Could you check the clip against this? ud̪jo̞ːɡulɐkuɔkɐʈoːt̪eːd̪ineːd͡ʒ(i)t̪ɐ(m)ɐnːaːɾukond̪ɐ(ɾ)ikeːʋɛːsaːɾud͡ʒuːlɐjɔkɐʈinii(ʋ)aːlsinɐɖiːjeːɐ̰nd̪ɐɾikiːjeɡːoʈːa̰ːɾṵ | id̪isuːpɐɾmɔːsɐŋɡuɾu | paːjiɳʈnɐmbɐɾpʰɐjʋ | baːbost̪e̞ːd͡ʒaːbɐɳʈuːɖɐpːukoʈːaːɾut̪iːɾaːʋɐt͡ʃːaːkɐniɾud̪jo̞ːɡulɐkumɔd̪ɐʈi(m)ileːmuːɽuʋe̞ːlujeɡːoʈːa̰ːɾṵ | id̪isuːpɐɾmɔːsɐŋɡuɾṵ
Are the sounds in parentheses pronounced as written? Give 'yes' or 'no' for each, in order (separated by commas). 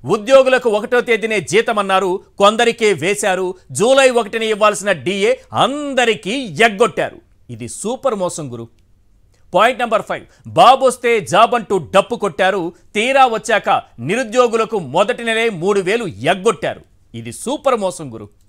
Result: no, yes, yes, no, no